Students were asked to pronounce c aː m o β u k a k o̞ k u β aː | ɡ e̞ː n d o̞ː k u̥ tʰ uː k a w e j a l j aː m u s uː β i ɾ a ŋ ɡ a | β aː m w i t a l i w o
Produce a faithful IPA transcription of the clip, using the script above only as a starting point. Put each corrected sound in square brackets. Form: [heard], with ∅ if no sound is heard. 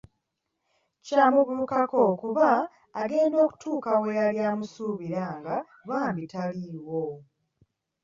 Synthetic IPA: c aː m [u] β u k a k o̞ k u β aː | ɡ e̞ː n d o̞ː k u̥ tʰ uː k a w e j a l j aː m u s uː β i ɾ a ŋ ɡ a | β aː m [b] i t a l i w o

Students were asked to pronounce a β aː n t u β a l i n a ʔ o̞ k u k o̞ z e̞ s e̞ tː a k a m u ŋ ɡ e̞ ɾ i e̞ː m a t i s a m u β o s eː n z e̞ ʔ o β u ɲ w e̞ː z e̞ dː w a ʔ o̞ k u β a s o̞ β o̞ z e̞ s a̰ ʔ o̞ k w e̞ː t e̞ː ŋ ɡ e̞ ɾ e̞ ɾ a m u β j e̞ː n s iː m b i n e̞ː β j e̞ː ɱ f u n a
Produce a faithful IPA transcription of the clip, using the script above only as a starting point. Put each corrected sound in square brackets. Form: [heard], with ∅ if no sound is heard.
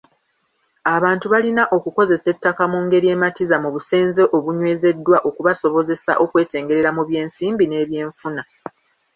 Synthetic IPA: a β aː n t u β a l i n a ʔ o̞ k u k o̞ z e̞ s e̞ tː a k a m u ŋ ɡ e̞ ɾ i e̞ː m a t i [z] a m u β [u] s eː n z e̞ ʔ o β u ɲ w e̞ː z e̞ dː w a ʔ o̞ k u β a s o̞ β o̞ z e̞ s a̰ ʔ o̞ k w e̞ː t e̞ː ŋ ɡ e̞ ɾ e̞ ɾ a m u β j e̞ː n s iː m b i n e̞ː β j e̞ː ɱ f u n a

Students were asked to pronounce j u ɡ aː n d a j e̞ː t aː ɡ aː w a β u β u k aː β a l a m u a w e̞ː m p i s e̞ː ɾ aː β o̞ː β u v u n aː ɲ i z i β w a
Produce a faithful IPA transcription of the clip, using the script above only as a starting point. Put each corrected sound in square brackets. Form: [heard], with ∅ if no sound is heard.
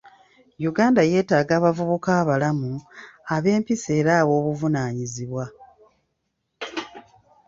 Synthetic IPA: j u ɡ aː n d a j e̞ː t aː ɡ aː [β] a [v] u β u k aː β a l a m u a [β] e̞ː m p i s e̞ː ɾ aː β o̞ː β u v u n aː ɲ i z i β w a

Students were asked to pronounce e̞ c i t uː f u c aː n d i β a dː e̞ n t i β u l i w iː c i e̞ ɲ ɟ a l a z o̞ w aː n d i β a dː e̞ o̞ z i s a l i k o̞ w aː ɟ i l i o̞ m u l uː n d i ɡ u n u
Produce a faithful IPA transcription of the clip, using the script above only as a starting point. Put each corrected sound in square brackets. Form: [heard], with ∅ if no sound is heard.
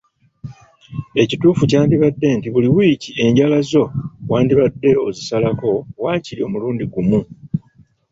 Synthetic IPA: e̞ c i t uː f u c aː n d i β a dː e̞ n t i β u l i w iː c i e̞ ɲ ɟ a l a z o̞ w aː n d i β a dː e̞ o̞ z i s a l [a] k o̞ w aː [c] i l i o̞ m u l uː n d i ɡ u [m] u

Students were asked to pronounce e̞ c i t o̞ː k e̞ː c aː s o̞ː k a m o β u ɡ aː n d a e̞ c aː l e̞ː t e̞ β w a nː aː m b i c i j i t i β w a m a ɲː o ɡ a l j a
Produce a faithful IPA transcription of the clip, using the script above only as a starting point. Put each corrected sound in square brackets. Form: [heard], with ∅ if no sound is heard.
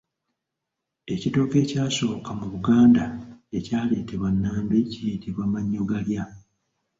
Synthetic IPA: e̞ c i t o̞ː k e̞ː c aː s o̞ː k a m [u] β u ɡ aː n d a e̞ c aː l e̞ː t e̞ β w a nː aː m b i c i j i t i β w a m a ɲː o ɡ a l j a

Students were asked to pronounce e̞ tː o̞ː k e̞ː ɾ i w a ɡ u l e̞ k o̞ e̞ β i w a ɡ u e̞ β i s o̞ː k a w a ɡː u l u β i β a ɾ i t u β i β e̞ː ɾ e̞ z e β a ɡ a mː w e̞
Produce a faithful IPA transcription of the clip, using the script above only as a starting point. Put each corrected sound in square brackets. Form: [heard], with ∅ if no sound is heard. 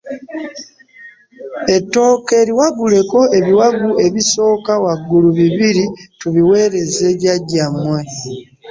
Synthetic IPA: e̞ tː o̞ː k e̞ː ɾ i w a ɡ u l e̞ k o̞ e̞ β i w a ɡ u e̞ β i s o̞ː k a w a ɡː u l u β i β [i] ɾ i t u β i [w] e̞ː ɾ e̞ z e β a [ɟ] a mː w e̞

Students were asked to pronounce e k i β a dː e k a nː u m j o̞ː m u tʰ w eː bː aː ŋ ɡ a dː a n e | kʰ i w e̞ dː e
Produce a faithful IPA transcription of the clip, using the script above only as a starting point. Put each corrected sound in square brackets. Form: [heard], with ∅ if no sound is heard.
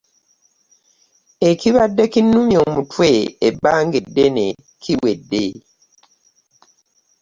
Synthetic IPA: e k i β a dː e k [i] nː u m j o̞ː m u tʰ w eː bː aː ŋ ɡ [e] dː [e] n e | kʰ i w e̞ dː e

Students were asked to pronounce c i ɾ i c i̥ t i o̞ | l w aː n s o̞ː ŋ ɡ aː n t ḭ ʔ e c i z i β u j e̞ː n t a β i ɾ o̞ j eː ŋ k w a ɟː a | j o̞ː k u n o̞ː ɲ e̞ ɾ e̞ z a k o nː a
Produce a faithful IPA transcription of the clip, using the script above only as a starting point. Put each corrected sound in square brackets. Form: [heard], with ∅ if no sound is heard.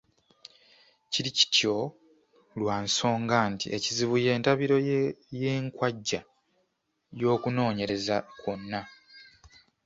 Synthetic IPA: c i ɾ i c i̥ t [j] o̞ | l w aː n s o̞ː ŋ ɡ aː n t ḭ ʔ e c i z i β u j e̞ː n t a β i ɾ o̞ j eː ŋ k w a ɟː a | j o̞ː k u n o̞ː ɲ e̞ ɾ e̞ z a k o nː a

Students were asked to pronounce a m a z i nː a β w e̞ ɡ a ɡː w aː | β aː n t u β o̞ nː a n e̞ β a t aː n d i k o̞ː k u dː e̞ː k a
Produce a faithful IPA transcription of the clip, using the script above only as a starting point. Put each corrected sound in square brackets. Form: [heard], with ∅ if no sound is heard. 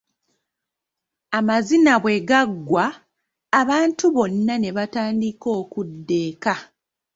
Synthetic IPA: a m a z i [n] a β w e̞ ɡ a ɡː w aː | β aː n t u β o̞ nː a n e̞ β a t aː n d i k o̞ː k u dː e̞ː k a

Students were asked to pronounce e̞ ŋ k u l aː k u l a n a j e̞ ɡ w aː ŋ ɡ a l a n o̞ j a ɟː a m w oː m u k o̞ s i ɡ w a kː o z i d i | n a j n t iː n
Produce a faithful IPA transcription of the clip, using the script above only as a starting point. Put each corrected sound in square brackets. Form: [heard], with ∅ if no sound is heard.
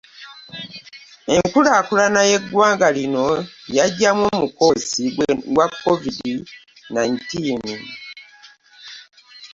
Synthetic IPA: e̞ ŋ k u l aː k u l a n a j e̞ ɡ w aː ŋ ɡ a l [i] n o̞ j a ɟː a m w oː m u k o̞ s i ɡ w a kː o [v] i d i | n a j n t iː n

